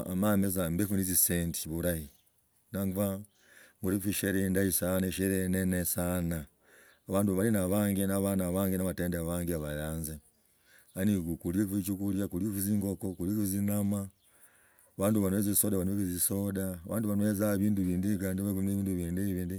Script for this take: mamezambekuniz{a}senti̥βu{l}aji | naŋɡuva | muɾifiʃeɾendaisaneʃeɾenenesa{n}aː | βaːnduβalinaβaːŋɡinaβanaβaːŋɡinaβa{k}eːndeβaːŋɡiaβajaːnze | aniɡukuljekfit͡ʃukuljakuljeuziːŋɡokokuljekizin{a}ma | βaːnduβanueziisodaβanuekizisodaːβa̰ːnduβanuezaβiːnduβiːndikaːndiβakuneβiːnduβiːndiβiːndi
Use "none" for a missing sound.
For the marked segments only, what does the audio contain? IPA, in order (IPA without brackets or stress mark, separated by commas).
i, ɾ, n, t, a